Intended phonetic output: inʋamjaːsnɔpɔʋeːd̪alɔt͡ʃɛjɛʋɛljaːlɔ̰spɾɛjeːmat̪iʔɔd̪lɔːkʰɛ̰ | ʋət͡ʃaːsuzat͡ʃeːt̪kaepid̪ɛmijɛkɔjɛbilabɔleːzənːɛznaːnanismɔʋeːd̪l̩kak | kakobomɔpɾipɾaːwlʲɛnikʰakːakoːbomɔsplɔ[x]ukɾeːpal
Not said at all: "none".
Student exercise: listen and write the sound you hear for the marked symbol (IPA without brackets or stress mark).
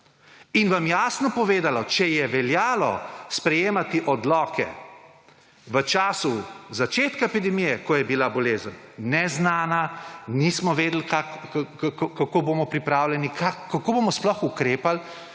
x